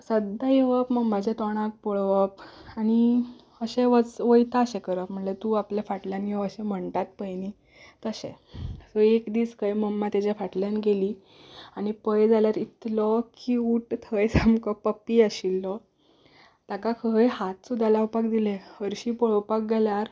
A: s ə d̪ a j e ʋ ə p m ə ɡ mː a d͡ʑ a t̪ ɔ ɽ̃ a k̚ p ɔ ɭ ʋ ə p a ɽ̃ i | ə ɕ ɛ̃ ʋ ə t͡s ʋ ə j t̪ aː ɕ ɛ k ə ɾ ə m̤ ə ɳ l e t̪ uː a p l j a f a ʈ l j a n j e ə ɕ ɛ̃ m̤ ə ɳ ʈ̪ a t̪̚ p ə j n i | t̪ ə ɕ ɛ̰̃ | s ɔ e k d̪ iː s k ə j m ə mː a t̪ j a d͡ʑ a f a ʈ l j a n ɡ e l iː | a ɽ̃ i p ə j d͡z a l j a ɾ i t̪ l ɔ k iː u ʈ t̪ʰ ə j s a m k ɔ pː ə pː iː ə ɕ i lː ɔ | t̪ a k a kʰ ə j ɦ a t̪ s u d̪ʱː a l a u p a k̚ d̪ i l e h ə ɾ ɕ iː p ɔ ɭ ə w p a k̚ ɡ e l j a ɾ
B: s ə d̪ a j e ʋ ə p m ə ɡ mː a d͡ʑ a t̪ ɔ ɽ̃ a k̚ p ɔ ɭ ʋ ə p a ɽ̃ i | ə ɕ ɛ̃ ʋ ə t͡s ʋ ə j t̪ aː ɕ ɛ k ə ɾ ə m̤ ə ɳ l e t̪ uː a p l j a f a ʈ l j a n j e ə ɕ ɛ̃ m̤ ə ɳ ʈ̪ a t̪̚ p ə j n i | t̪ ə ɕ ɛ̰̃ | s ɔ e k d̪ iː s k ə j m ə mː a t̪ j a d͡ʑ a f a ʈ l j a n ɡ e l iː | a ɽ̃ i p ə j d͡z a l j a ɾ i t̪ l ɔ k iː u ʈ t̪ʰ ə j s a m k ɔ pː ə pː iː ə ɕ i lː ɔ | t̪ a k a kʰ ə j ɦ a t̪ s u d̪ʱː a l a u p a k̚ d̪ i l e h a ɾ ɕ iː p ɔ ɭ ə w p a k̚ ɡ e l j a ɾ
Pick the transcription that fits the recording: A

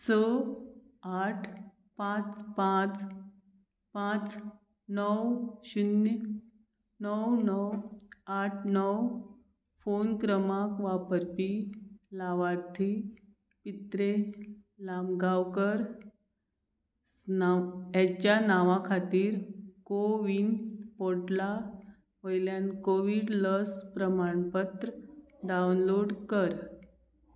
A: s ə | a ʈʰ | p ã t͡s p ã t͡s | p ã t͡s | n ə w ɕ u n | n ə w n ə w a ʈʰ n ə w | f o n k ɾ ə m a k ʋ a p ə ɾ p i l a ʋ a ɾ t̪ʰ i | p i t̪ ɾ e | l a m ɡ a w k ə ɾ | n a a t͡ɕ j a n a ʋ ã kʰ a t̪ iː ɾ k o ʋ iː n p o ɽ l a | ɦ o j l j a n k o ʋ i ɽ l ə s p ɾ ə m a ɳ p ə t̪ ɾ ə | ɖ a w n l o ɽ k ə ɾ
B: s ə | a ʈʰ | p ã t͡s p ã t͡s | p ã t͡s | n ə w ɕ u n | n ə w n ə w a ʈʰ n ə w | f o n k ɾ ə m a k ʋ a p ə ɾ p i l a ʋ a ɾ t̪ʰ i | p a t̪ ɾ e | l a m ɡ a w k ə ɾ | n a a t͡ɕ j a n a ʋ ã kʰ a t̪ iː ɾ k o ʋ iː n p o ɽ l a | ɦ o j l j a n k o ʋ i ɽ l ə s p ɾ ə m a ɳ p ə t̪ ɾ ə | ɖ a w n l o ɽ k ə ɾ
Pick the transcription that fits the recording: A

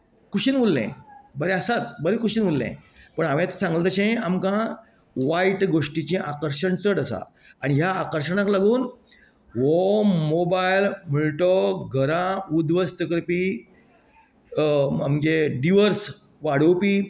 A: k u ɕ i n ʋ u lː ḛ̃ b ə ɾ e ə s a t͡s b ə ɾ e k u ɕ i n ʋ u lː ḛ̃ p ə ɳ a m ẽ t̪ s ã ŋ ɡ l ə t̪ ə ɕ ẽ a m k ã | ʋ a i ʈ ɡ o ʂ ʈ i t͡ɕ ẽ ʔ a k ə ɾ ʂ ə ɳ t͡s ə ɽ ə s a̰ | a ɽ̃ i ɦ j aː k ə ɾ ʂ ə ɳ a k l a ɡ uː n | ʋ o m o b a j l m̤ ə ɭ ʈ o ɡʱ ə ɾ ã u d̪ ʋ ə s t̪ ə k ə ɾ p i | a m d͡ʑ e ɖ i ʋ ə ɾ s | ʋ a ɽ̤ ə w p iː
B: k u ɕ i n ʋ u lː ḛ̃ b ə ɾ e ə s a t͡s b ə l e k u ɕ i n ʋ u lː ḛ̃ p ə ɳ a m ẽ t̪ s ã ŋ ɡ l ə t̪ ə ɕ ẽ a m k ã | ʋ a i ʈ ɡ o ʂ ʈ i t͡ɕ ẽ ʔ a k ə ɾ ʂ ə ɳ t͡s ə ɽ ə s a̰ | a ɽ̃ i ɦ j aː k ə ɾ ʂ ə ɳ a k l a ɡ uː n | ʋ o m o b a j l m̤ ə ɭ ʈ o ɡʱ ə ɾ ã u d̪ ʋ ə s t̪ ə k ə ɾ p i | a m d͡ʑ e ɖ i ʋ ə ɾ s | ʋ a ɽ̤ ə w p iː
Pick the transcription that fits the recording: A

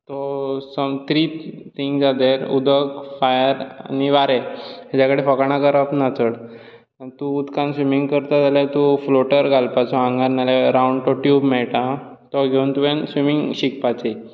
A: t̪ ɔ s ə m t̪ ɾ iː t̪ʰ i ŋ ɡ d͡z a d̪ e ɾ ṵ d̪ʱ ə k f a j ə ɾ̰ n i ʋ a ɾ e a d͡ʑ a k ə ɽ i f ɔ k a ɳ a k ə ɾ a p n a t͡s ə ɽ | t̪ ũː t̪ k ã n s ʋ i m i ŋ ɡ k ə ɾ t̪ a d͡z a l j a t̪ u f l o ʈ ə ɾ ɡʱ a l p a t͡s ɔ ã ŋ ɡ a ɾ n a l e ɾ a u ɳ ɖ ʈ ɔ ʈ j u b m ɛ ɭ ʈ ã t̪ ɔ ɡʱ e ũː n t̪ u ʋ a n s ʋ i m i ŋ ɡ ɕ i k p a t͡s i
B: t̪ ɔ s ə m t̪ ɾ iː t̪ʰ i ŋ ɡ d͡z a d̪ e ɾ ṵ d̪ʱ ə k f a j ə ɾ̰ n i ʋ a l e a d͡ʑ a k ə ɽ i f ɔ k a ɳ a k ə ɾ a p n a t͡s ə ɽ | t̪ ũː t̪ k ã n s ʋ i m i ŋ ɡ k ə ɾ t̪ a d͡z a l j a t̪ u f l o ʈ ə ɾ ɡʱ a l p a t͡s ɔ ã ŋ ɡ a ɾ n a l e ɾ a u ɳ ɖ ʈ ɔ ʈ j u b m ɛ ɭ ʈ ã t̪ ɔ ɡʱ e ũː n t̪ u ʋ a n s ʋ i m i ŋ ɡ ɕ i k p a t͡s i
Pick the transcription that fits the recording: A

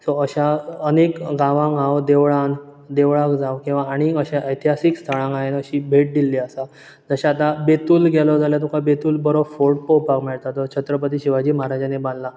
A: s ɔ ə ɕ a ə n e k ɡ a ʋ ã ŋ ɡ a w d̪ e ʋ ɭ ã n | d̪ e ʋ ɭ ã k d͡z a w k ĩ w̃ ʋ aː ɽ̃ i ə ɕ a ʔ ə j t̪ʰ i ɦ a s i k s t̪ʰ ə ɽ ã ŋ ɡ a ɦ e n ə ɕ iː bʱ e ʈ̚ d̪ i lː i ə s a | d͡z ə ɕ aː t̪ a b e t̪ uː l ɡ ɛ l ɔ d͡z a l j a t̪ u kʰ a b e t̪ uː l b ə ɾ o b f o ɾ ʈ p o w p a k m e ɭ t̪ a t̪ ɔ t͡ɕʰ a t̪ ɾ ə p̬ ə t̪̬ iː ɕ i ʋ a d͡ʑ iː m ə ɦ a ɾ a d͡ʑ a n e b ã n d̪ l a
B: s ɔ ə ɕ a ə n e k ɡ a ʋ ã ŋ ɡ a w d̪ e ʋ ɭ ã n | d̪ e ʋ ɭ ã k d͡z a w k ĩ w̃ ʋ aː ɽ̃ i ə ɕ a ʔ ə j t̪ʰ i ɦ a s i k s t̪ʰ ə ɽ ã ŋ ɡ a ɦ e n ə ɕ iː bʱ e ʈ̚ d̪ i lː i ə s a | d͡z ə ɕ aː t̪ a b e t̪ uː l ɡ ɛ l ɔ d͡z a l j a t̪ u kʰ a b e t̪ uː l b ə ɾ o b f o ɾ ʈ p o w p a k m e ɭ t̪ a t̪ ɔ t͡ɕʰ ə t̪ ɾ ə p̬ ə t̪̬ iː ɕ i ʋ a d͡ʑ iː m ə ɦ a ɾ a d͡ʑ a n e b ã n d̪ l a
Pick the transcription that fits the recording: B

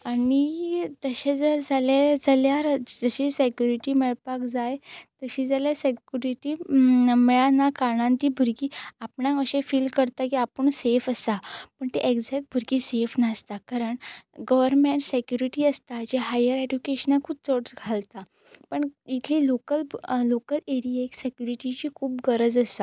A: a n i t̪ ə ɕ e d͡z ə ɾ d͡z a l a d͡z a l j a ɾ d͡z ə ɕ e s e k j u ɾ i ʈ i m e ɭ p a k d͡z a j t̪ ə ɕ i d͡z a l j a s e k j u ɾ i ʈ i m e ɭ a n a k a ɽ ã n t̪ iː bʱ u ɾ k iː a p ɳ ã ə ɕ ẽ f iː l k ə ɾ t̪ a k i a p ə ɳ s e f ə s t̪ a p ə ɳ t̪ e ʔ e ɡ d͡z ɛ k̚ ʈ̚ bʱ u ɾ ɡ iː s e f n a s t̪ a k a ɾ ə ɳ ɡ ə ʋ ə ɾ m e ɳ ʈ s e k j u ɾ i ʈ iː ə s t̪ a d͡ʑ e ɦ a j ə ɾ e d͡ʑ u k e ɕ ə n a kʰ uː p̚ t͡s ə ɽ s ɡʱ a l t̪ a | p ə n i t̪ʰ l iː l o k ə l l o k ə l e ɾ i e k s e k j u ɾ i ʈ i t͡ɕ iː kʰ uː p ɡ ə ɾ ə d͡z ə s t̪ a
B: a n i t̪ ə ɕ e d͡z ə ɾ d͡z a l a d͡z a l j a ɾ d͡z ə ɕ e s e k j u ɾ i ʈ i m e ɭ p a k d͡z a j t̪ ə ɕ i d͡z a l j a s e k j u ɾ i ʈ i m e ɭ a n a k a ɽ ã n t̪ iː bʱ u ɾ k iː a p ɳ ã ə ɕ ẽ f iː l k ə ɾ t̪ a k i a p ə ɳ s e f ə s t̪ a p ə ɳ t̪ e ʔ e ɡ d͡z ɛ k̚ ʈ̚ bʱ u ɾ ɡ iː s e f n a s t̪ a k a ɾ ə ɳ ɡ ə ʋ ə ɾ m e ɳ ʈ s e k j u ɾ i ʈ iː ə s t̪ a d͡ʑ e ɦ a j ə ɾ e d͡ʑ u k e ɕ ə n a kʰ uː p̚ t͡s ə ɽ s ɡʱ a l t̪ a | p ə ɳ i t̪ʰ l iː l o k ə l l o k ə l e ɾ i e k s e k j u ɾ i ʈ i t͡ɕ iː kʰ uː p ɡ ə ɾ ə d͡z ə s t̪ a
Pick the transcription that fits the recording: B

